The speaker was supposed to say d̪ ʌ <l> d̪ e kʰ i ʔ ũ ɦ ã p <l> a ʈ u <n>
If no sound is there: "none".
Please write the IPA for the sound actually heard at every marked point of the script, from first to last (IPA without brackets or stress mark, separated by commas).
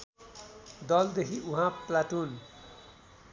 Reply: l, l, n